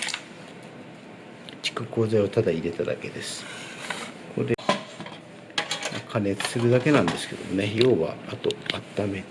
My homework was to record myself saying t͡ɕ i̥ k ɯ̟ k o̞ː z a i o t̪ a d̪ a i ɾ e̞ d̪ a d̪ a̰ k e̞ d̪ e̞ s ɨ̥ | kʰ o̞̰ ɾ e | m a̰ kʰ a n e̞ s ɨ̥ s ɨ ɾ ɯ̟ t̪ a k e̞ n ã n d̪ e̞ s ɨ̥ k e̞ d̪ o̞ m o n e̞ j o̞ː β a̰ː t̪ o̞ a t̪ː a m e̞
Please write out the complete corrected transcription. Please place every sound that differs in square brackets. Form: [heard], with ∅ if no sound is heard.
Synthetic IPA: t͡ɕ i̥ k ɯ̟ k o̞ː z a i o t̪ a d̪ a i ɾ e̞ [t̪] a d̪ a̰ k e̞ d̪ e̞ s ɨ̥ | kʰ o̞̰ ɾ e | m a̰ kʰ a n e̞ [t͡s] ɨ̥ s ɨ ɾ ɯ̟ [d̪] a k e̞ n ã n d̪ e̞ s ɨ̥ k e̞ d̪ o̞ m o n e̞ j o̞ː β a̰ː t̪ o̞ a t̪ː a m e̞